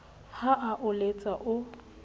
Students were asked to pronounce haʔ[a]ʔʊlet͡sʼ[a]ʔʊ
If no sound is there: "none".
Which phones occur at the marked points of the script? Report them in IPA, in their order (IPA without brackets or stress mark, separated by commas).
a, a